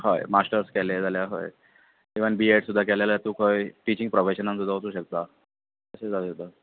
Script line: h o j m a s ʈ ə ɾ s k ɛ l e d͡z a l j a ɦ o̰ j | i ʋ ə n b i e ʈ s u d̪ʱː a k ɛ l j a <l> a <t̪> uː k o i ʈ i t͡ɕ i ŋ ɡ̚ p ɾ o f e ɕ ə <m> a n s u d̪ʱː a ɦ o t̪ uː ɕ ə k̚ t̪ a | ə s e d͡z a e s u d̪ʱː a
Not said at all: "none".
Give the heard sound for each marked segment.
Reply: l, t̪, n

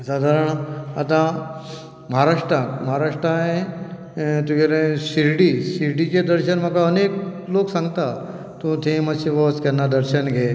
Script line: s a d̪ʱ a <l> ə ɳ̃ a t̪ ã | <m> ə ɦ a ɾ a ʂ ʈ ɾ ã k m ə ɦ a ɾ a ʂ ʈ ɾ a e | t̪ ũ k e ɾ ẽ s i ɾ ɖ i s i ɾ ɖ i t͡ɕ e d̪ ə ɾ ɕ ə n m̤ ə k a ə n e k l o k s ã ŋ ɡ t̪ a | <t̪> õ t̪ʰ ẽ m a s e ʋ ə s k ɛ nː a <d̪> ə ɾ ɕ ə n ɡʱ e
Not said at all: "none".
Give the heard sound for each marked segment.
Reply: ɾ, m, t̪, d̪

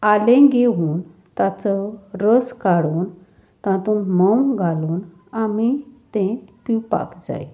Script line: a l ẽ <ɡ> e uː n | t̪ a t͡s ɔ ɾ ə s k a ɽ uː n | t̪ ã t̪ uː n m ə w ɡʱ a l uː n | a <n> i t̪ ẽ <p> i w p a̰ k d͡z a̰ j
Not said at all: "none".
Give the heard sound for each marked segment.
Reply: ɡ, m, p

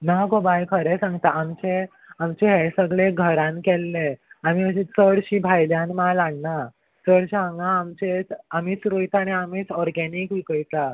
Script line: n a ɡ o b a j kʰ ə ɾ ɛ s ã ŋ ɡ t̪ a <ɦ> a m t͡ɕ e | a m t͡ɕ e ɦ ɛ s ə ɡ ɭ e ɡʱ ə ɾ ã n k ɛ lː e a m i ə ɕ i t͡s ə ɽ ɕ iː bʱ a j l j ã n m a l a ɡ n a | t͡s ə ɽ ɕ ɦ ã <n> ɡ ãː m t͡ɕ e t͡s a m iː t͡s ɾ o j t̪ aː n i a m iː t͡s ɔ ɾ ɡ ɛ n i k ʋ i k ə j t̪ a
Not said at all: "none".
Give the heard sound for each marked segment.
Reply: none, ŋ

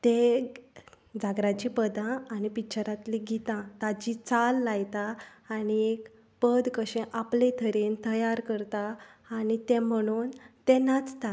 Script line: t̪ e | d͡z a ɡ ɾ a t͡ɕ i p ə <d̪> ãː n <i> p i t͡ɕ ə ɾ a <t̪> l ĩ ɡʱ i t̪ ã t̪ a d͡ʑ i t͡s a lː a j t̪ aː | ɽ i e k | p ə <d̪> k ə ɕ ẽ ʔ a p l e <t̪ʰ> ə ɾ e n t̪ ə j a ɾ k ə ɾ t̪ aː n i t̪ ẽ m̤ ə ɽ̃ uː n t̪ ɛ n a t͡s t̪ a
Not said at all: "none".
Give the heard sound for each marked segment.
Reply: d̪, i, t̪, d̪, t̪ʰ

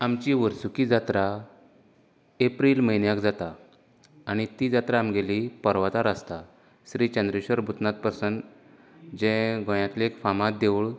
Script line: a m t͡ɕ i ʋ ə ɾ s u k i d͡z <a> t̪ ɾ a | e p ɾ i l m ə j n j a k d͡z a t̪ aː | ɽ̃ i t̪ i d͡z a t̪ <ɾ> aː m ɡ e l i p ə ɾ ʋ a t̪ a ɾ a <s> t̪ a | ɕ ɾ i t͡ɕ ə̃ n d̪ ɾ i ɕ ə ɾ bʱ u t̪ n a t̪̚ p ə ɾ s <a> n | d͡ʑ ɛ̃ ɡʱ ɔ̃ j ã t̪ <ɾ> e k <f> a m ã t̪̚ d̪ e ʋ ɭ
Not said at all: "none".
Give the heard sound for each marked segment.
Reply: a, ɾ, s, ə, l, f

